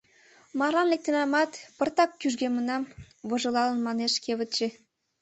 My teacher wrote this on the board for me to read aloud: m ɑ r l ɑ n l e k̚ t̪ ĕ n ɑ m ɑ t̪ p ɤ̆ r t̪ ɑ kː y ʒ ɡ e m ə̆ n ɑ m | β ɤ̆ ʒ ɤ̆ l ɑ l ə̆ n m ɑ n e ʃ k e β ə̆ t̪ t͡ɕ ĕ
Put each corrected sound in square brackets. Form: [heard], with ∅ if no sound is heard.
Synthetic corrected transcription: m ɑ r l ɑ n l e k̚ t̪ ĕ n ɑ m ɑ t̪ p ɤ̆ r t̪ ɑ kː y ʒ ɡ e m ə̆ n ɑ m | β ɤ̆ ʒ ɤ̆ l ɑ l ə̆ n m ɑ n e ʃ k e β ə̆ t̪ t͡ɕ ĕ